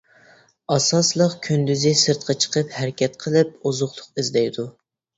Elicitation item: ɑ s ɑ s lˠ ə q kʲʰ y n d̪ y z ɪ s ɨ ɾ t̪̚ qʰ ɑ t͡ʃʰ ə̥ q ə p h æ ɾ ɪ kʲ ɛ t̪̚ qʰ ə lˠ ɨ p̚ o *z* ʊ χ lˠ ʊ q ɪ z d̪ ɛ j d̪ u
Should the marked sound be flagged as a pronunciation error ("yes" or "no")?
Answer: no